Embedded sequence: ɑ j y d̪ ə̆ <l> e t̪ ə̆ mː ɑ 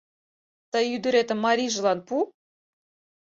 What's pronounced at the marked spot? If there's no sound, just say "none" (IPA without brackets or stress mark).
ɾ